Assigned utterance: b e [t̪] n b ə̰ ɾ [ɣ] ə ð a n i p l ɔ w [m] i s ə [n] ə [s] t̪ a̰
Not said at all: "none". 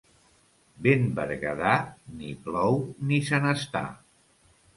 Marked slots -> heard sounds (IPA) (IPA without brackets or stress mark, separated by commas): none, ɣ, n, n, s